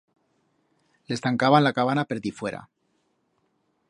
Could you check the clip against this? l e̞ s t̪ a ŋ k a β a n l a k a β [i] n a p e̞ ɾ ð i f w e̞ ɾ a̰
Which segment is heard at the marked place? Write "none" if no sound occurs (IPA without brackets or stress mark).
a